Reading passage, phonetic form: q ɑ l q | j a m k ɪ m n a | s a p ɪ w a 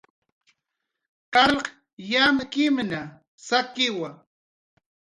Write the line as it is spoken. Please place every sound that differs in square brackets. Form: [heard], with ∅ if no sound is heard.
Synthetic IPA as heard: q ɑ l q | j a m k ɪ m n a | s a [k] ɪ w a